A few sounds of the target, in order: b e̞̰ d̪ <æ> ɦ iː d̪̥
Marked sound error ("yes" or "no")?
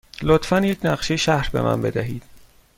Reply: no